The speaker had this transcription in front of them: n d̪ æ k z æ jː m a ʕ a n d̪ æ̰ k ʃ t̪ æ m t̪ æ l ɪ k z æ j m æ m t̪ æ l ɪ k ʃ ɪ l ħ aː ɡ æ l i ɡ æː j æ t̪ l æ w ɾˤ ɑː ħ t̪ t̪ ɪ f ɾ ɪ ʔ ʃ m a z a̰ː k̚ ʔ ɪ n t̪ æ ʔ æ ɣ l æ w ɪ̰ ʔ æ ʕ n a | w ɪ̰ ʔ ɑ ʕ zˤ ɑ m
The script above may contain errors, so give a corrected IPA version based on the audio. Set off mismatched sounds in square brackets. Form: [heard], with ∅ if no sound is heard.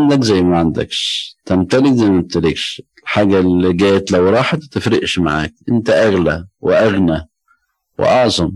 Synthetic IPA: n d̪ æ k z æ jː m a ʕ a n d̪ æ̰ k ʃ t̪ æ m t̪ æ l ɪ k z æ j m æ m t̪ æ l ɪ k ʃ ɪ l ħ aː ɡ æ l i ɡ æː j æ t̪ l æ w ɾˤ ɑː ħ t̪ t̪ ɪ f ɾ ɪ ʔ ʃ m a [ʕ] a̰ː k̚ ʔ ɪ n t̪ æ ʔ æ ɣ l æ w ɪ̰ ʔ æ [ɣ] n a | w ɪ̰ ʔ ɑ ʕ zˤ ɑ m